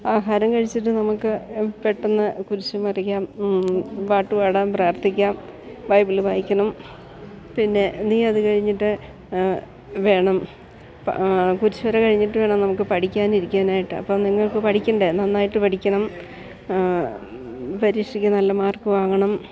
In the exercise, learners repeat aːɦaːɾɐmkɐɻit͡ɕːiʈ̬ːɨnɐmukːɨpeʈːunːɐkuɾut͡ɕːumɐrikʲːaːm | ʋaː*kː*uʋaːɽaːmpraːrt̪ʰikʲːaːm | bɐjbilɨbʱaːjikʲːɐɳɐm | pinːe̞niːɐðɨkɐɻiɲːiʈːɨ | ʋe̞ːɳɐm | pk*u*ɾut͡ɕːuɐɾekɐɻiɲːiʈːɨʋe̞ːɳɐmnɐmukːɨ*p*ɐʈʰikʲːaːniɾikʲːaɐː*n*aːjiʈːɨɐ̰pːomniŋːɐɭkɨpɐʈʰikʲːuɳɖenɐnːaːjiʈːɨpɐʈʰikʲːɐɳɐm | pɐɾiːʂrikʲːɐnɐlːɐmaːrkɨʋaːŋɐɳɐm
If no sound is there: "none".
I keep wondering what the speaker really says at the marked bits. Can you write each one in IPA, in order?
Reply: ʈː, u, p, n

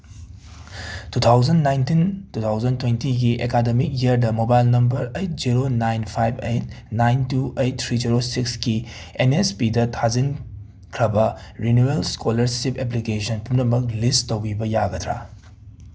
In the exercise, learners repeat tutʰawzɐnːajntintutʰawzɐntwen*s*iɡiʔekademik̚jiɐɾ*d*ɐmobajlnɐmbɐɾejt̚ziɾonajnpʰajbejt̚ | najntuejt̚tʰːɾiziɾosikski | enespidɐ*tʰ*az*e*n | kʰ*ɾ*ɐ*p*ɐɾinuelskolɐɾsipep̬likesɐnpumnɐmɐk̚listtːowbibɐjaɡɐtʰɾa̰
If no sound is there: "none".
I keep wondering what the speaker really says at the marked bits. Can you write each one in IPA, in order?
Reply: t, d, tʰ, i, ɾ, b

